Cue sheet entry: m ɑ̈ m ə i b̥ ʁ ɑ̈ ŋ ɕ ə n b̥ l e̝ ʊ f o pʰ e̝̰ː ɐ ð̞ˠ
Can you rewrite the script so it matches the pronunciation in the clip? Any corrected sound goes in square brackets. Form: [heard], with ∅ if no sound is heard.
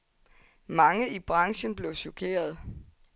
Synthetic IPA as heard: m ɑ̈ [ŋ] ə i b̥ ʁ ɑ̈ ŋ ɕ ə n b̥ l e̝ ʊ [ɕ] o [kʰ] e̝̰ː ɐ ð̞ˠ